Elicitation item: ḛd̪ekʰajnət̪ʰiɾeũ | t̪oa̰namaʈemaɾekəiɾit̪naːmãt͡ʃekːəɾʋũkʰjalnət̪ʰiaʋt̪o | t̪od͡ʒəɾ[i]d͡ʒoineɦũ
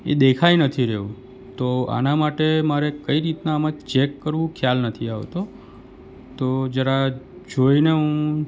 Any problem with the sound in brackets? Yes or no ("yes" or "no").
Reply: yes